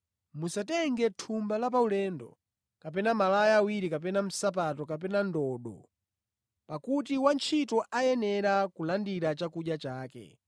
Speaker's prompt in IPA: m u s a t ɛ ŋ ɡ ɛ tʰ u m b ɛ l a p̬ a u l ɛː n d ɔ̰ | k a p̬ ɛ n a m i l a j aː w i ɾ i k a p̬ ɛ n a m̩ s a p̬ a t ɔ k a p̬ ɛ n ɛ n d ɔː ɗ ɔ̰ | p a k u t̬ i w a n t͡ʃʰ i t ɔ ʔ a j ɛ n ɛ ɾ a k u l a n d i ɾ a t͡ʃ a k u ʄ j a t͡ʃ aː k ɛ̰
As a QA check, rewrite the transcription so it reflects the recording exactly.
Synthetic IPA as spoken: m u s a t ɛ ŋ ɡ ɛ tʰ u m b a l a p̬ a u l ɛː n d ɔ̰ | k a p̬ ɛ n a m a l a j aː w i ɾ i k a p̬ ɛ n a m̩ s a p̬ a t ɔ k a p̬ ɛ n a n d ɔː ɗ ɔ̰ | p a k u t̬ i w a n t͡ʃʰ i t ɔ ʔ a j ɛ n ɛ ɾ a k u l a n d i ɾ a t͡ʃ a k u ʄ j a t͡ʃ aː k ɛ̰